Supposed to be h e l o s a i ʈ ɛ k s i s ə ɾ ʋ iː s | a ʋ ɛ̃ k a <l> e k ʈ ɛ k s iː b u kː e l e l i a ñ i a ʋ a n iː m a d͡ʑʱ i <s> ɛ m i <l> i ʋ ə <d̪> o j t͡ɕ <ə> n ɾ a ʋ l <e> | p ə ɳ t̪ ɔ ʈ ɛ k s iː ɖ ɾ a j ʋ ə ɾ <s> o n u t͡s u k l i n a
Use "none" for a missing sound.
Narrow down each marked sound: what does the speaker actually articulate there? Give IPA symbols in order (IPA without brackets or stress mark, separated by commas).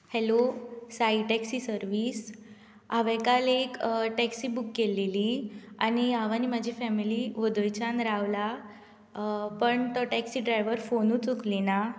l, f, l, d̪, a, a, f